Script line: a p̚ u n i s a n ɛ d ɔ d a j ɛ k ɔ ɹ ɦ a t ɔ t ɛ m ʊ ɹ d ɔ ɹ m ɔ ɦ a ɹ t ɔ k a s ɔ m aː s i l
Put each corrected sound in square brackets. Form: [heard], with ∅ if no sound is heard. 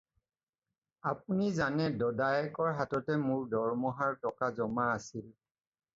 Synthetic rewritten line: a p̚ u n i [z] a n ɛ d ɔ d a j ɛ k ɔ ɹ ɦ a t ɔ t ɛ m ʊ ɹ d ɔ ɹ m ɔ ɦ a ɹ t ɔ k a [z] ɔ m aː s i l

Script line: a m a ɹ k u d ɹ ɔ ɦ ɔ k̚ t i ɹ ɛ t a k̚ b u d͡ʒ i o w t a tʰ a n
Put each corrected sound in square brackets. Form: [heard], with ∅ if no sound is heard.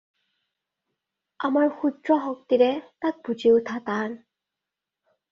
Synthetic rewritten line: a m a ɹ [x] u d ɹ ɔ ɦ ɔ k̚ t i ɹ ɛ t a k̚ b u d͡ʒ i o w [tʰ] a [t] a n

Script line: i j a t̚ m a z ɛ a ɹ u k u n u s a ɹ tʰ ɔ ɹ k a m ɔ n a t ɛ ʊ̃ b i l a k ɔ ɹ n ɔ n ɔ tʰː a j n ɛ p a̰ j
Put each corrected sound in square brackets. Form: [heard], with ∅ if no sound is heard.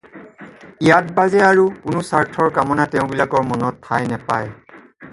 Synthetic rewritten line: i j a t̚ [b] a z ɛ a ɹ u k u n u s a ɹ tʰ ɔ ɹ k a m ɔ n a t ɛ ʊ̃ b i l a k ɔ ɹ [m] ɔ n ɔ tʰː a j n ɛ p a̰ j

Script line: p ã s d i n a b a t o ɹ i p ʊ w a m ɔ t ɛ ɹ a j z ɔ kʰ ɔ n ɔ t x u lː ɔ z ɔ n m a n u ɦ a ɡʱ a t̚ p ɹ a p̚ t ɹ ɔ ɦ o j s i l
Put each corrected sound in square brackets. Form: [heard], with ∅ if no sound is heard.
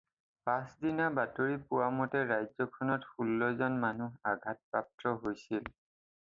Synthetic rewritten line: p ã s d i n a b a t o ɹ i p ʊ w a m ɔ t ɛ ɹ a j z ɔ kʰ ɔ n ɔ t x u lː ɔ z ɔ n m a n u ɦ a ɡʱ a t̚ p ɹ a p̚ t ɹ ɔ ɦ o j s i l

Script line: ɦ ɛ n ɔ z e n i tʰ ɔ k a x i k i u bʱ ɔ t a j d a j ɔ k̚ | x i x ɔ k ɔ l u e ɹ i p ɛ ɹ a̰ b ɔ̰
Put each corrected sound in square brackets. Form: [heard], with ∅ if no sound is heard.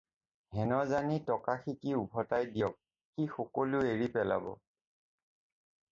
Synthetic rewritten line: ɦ ɛ n ɔ z [a] n i [t] ɔ k a x i k i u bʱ ɔ t a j d [i] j ɔ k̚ | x i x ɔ k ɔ l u e ɹ i p ɛ [l] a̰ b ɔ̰

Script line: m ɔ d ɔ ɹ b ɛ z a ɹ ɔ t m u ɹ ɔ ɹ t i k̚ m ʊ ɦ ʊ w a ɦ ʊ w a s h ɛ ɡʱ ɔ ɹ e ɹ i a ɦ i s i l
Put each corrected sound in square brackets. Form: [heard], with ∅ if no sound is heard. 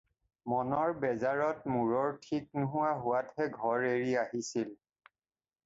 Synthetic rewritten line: m ɔ [n] ɔ ɹ b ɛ z a ɹ ɔ t m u ɹ ɔ ɹ [tʰ] i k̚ [n] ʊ ɦ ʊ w a ɦ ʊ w a [t] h ɛ ɡʱ ɔ ɹ e ɹ i a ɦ i s i l

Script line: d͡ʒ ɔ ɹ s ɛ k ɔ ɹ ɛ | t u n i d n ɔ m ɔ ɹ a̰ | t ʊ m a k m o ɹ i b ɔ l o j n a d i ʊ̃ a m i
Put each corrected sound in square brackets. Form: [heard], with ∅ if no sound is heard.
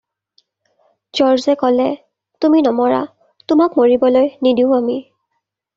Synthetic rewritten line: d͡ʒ ɔ ɹ [z] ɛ k ɔ [l] ɛ | t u [m] i [∅] n ɔ m ɔ ɹ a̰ | t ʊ m a k m o ɹ i b ɔ l o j n [i] d i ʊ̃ a m i

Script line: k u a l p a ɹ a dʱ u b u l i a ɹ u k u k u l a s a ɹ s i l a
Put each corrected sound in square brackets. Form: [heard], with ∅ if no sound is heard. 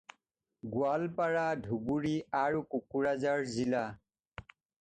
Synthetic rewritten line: [ɡ] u a l p a ɹ a dʱ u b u [ɹ] i a ɹ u k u k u [ɹ] a [z] a ɹ [z] i l a

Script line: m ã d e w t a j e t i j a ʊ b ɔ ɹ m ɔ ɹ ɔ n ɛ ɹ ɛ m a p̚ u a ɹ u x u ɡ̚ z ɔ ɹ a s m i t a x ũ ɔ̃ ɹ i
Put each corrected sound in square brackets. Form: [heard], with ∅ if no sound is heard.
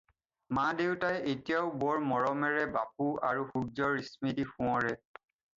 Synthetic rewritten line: m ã d e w t a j e t i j a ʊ b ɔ ɹ m ɔ ɹ ɔ [m] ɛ ɹ ɛ [b] a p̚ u a ɹ u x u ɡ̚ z ɔ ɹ [i] s m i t [i] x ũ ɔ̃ ɹ [ɛ]

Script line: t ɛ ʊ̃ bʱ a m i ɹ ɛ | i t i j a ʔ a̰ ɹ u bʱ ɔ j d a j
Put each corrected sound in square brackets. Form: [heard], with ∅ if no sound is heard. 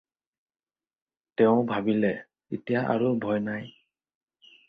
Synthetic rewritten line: t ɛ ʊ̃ bʱ a [b] i [l] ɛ | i t i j a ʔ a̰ ɹ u bʱ ɔ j [n] a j

